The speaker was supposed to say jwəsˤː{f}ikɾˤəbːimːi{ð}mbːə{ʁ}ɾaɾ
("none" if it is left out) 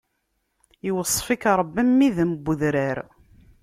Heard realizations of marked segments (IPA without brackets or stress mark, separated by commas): f, ð, ð